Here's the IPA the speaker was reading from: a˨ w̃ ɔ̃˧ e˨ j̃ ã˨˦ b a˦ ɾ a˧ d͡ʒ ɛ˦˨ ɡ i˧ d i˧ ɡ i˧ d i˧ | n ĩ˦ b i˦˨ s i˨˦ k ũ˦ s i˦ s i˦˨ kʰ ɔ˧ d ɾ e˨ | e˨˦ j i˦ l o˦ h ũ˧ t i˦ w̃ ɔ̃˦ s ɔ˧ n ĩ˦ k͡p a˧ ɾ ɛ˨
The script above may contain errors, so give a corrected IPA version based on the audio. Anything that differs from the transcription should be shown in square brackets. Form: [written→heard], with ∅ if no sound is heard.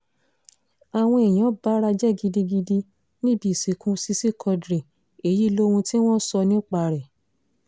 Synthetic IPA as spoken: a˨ w̃ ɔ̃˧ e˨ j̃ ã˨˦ b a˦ ɾ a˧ d͡ʒ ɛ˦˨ ɡ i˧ d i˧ ɡ i˧ d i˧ | n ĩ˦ b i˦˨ s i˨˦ k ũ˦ s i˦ s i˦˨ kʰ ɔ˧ d ɾ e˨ | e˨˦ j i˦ l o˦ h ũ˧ t i˦ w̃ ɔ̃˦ s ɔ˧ n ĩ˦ k͡p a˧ ɾ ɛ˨